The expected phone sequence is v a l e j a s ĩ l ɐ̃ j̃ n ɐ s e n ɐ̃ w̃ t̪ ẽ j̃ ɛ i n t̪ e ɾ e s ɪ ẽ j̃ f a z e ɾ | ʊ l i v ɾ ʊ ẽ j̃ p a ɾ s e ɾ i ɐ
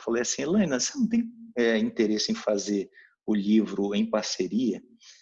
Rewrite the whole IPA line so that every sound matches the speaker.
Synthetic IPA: f a l e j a s ĩ l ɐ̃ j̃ n ɐ s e n ɐ̃ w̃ t̪ ẽ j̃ ɛ ĩ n t̪ e ɾ e s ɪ ẽ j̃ f a z e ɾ | ʊ l i v ɾ ʊ ẽ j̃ p a ɾ s e ɾ i ɐ